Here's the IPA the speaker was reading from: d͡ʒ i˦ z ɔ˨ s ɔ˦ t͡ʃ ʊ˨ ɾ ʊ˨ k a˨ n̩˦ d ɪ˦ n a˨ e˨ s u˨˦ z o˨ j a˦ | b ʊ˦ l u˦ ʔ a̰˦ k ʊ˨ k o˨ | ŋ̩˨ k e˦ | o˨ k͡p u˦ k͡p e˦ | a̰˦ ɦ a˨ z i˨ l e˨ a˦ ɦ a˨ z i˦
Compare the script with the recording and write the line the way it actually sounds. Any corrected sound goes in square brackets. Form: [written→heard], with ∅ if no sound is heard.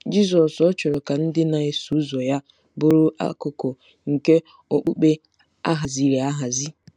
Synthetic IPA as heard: d͡ʒ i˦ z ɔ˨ s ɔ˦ t͡ʃ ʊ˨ ɾ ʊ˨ k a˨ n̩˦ d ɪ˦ n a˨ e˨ s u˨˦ z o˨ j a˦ | b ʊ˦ [l→ɾ] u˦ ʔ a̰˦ k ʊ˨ k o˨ | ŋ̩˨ k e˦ | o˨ k͡p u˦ k͡p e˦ | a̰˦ ɦ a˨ z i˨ [l→ɾ] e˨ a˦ ɦ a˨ z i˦